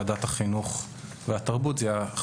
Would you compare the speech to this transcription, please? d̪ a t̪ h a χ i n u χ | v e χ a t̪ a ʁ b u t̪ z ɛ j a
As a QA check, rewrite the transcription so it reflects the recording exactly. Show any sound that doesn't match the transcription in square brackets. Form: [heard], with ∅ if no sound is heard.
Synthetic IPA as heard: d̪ a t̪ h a χ i n u χ | v e [∅] a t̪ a ʁ b u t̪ z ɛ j a